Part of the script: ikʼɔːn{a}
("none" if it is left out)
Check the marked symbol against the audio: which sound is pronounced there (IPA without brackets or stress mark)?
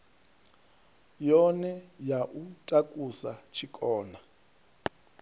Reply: a